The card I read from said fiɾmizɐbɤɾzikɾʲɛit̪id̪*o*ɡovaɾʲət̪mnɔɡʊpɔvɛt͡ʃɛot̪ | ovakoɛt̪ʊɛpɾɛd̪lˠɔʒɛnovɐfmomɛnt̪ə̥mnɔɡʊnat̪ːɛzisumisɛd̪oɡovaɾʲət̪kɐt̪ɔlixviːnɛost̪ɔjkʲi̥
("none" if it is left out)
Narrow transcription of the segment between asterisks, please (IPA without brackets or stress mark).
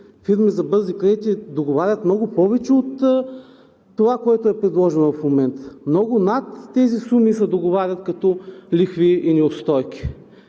o